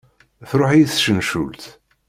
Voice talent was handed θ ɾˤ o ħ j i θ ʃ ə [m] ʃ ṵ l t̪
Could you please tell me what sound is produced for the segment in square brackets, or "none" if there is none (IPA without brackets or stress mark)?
n